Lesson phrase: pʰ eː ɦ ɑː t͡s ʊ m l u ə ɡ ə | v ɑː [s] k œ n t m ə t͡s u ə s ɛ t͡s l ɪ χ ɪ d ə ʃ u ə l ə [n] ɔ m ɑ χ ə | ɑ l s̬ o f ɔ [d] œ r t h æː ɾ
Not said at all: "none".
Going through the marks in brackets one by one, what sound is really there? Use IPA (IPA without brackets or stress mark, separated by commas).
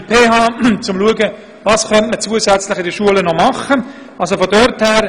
s, n, d